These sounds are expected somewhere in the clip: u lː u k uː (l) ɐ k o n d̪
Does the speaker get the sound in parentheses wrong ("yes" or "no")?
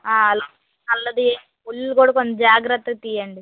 yes